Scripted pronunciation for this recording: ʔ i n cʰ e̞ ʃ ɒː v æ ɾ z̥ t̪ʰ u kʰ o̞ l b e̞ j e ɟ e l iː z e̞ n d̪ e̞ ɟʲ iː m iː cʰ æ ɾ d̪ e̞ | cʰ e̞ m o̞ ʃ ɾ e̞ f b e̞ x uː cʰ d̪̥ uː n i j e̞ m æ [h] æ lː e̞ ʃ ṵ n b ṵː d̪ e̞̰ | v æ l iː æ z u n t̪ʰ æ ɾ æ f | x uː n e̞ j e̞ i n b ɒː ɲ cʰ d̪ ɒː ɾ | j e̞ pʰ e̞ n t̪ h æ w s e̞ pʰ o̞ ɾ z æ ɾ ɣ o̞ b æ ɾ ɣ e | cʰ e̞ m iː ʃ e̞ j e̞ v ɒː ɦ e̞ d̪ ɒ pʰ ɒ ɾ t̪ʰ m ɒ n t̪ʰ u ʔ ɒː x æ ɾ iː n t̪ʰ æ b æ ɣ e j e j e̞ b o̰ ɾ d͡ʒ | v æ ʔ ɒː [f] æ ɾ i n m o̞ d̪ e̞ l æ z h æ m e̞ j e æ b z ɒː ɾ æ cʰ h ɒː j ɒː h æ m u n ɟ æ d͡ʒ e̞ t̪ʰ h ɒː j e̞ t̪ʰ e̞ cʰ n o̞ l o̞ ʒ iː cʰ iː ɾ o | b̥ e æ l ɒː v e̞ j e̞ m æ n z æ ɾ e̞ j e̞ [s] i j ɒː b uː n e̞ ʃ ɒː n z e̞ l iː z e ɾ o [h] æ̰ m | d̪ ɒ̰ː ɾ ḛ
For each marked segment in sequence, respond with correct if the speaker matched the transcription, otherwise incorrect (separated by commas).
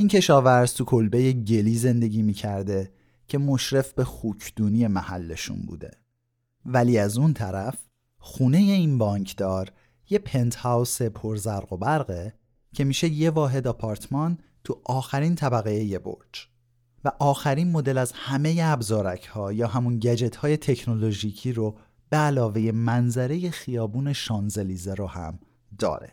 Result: correct, incorrect, incorrect, correct